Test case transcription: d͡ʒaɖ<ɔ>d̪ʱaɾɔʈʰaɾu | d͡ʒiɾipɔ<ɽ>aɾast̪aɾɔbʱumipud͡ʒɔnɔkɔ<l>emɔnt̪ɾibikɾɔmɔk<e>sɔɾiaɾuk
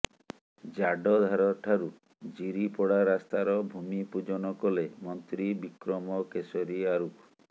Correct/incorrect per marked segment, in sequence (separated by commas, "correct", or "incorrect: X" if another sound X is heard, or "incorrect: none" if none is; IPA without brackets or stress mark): correct, correct, correct, correct